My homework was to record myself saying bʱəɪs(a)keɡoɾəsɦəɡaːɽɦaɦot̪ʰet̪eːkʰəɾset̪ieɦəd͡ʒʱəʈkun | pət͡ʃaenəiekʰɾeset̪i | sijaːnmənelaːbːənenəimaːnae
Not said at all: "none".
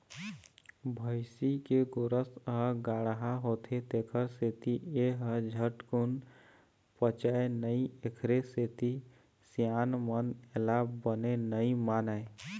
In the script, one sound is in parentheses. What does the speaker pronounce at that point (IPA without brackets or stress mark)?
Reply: i